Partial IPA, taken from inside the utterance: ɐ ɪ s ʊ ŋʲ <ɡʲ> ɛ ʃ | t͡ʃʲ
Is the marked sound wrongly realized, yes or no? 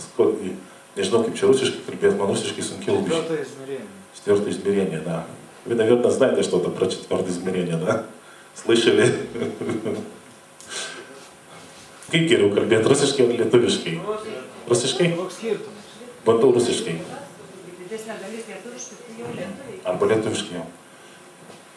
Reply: yes